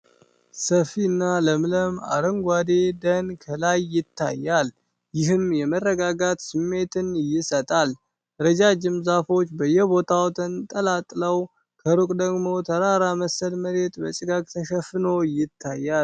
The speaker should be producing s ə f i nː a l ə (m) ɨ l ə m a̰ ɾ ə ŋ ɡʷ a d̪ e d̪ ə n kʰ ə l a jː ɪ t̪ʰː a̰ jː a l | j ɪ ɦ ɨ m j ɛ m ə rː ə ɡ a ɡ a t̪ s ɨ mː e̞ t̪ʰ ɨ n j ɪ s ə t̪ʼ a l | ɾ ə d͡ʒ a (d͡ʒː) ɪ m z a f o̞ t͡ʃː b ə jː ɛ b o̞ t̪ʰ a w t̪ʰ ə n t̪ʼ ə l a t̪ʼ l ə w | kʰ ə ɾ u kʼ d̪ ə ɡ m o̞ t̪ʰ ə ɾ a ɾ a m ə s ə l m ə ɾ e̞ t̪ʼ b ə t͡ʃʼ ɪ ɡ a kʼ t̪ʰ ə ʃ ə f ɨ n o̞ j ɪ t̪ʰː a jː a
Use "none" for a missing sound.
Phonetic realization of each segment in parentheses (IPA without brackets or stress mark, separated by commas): m, d͡ʒ